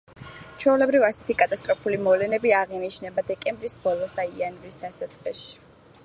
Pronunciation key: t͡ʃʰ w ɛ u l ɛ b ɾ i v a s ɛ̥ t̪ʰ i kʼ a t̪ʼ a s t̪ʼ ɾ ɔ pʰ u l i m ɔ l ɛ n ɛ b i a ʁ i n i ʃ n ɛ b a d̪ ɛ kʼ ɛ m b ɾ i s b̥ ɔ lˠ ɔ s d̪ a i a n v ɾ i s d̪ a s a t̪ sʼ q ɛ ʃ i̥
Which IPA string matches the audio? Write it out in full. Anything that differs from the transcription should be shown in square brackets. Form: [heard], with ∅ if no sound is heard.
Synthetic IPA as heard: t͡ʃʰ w ɛ u l ɛ b ɾ i v a s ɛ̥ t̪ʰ i kʼ a t̪ʼ a s t̪ʼ ɾ ɔ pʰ u l i m ɔ l ɛ n ɛ b i a ʁ i n i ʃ n ɛ b a d̪ ɛ kʼ ɛ m b ɾ i s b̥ ɔ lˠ ɔ s d̪ a i a n v ɾ i s d̪ a s a t̪ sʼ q ɛ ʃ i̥